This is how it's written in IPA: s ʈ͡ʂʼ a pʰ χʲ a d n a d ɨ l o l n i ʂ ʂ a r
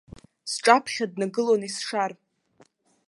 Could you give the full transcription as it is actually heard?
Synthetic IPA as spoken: s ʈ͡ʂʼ a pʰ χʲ a d n a ɡ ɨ l o n i s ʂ a r